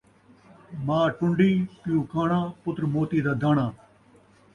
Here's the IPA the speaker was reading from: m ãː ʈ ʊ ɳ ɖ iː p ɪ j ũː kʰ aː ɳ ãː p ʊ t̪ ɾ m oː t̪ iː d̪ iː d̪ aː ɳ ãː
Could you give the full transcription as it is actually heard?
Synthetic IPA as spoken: m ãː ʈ ʊ ɳ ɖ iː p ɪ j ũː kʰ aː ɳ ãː p ʊ t̪ ɾ m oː t̪ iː d̪ aː d̪ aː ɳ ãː

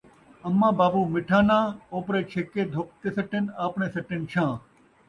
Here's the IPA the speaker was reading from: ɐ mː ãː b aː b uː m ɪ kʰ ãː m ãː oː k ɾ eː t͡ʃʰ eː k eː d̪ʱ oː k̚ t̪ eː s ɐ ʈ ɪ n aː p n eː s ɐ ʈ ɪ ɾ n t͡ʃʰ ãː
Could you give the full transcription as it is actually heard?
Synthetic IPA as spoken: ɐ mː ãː b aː b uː m ɪ ʈʰ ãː n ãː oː p ɾ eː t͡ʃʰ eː k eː d̪ʱ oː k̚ t̪ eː s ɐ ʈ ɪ n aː p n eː s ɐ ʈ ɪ n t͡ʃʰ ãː

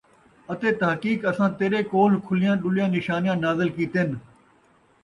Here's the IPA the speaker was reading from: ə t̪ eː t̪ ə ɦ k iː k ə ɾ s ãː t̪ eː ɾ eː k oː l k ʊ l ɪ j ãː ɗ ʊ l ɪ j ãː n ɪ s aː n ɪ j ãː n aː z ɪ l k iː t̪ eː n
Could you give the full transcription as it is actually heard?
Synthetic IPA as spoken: ə t̪ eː t̪ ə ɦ k iː k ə s ãː t̪ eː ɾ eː k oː l kʰ ʊ l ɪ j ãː ɗ ʊ l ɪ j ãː n ɪ ʃ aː n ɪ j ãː n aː z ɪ l k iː t̪ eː n

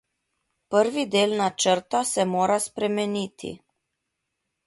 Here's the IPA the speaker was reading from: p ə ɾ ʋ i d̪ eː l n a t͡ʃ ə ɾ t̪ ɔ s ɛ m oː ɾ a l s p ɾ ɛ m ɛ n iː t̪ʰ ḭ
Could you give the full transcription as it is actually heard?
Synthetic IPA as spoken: p ə ɾ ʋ i d̪ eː l n a t͡ʃ ə ɾ t̪ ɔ s ɛ m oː ɾ a s p ɾ ɛ m ɛ n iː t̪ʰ ḭ

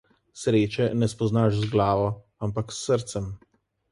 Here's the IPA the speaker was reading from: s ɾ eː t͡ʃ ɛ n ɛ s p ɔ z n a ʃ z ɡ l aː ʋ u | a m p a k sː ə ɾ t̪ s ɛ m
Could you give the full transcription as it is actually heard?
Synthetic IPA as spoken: s ɾ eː t͡ʃ ɛ n ɛ s p ɔ z n a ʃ z ɡ l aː ʋ ɔ | a m p a k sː ə ɾ t̪ s ɛ m

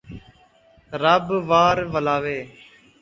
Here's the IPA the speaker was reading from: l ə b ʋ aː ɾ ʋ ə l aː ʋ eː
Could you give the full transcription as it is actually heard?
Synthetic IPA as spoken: ɾ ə b ʋ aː ɾ ʋ ə l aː ʋ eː

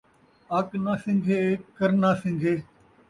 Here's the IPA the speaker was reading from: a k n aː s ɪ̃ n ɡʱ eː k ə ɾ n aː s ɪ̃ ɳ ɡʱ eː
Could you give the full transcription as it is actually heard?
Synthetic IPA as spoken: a k n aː s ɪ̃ ŋ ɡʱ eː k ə ɾ n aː s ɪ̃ ŋ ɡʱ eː

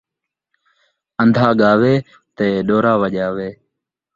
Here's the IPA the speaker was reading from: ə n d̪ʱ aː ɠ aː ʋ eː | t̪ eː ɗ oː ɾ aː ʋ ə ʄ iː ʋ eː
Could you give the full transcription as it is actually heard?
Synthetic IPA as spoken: ə n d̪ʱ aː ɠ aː ʋ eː | t̪ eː ɗ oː ɾ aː ʋ ə ʄ aː ʋ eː

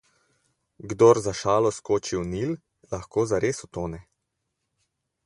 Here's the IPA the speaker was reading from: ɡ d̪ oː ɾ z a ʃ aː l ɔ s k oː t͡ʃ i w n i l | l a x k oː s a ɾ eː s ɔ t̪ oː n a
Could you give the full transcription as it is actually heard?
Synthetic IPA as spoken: ɡ d̪ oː ɾ z a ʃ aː l ɔ s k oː t͡ʃ i w n i l | l a x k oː z a ɾ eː s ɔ t̪ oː n ɛ

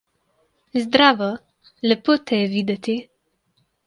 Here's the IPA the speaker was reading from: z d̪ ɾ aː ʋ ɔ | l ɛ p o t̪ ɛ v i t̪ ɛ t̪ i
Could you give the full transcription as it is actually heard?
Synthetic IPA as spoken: z d̪ ɾ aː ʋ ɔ | l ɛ p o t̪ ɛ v i d̪ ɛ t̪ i

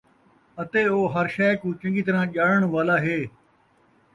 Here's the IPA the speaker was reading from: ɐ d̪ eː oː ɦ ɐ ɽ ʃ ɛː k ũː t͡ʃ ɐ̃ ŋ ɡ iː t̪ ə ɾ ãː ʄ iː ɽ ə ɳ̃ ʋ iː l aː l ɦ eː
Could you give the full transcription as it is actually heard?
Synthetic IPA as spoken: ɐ t̪ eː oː ɦ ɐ ɾ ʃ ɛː k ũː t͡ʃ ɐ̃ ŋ ɡ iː t̪ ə ɾ ãː ʄ aː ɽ ə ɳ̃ ʋ aː l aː ɦ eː

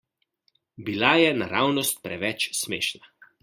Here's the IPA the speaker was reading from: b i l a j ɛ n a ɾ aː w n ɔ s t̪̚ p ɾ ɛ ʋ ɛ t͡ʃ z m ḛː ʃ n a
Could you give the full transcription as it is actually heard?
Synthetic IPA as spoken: b i l a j ɛ n a ɾ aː w n ɔ s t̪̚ p ɾ ɛ ʋ ɛ t͡ʃ s m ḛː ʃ n a

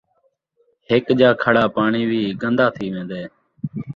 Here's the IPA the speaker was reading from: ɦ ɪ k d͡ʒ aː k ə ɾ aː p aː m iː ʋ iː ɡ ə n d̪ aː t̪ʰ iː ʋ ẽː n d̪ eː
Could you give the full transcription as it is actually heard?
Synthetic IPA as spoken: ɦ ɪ k d͡ʒ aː kʰ ə ɽ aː p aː ɳ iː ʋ iː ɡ ə n d̪ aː t̪ʰ iː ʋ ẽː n d̪ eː

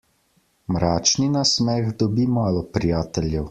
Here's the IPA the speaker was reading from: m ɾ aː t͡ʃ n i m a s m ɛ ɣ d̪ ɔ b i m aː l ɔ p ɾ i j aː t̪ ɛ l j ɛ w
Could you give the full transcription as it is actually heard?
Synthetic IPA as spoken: m ɾ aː t͡ʃ n i n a s m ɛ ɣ d̪ ɔ b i m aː l ɔ p ɾ i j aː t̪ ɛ l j ɛ w

